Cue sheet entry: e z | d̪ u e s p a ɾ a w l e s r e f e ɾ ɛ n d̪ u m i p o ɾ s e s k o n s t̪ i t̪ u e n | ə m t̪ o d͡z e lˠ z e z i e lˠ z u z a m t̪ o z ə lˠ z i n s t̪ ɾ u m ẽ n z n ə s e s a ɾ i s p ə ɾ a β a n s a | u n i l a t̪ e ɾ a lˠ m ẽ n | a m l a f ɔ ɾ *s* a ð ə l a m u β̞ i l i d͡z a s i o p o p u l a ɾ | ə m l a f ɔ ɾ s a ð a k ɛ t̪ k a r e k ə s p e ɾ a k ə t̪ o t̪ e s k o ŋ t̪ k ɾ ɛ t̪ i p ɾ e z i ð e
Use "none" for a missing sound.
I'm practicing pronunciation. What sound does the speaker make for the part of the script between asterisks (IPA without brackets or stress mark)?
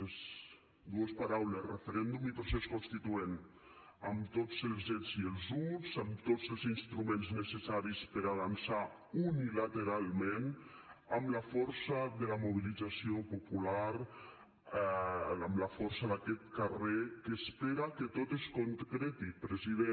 s